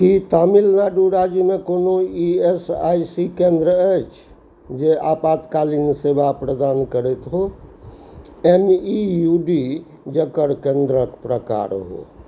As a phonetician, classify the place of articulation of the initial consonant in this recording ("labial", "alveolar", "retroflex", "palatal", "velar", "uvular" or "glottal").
velar